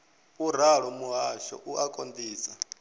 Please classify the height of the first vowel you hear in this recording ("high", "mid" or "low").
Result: high